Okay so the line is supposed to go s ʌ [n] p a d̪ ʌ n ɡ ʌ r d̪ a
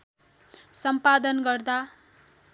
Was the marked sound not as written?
yes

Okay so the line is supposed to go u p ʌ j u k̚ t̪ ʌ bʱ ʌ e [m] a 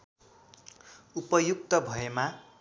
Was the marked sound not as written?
no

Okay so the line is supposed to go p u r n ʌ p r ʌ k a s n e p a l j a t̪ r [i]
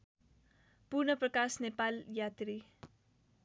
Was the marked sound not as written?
no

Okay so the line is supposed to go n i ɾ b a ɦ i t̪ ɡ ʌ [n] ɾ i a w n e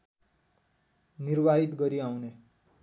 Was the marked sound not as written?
yes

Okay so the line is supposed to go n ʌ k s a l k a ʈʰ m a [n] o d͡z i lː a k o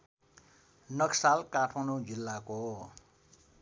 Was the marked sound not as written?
no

